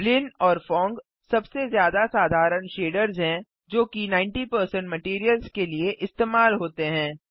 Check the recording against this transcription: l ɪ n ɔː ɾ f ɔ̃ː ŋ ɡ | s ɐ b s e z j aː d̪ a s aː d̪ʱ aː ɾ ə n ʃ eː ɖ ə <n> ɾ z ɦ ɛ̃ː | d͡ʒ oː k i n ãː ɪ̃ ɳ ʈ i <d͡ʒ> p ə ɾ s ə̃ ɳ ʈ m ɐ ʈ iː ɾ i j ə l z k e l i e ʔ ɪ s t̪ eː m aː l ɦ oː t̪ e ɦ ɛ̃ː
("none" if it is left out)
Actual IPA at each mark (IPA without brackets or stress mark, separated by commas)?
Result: none, none